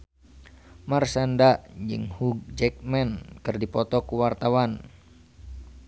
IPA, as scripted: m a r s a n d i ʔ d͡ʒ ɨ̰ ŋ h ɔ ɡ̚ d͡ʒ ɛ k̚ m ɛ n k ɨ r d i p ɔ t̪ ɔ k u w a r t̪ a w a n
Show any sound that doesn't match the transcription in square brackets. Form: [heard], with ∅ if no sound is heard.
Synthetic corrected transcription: m a r s a n d [a] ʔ d͡ʒ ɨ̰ ŋ h [u] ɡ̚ d͡ʒ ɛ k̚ m ɛ n k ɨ r d i p ɔ t̪ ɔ k u w a r t̪ a w a n